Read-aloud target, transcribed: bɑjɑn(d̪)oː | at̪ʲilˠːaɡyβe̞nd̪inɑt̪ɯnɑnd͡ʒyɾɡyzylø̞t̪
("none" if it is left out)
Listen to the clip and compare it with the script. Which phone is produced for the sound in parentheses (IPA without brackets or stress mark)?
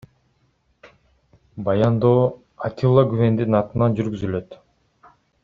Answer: d̪